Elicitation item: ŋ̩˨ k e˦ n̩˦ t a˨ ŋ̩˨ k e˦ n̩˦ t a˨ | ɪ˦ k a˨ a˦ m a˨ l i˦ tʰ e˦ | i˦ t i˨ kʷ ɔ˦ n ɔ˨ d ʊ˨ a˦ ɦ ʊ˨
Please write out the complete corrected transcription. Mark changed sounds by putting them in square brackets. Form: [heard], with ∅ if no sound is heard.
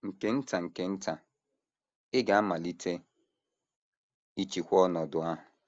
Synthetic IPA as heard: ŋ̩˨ k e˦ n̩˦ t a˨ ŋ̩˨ k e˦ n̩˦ t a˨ | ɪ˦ [ɡ] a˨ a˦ m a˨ l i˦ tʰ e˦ | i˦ [t͡ʃ] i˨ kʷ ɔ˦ n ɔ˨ d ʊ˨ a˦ ɦ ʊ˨

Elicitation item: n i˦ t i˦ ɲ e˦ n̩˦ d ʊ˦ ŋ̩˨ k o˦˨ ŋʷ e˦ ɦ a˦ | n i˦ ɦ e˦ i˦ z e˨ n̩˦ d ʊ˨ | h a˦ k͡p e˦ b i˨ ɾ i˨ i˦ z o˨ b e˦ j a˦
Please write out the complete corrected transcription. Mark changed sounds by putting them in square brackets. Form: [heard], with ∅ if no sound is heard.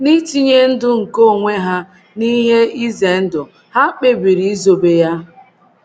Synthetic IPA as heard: n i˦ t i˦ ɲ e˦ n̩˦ d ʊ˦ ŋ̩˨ k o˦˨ ŋʷ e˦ ɦ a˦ | n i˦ ɦ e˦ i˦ z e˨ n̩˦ d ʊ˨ | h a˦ k͡p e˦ b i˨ ɾ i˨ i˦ z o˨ b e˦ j a˦

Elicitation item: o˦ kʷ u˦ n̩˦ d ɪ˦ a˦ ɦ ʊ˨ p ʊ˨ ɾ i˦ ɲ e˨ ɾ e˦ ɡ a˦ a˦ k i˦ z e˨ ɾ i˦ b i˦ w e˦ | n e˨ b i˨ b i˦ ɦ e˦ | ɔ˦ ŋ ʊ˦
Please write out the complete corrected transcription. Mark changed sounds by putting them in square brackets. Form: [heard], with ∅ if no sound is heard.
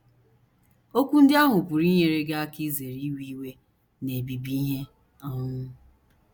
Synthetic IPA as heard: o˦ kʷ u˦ n̩˦ d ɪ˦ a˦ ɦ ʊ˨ p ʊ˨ ɾ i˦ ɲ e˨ ɾ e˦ ɡ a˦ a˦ k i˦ z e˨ ɾ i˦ [w] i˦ w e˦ | n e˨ b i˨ b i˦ ɦ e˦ | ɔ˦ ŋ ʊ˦

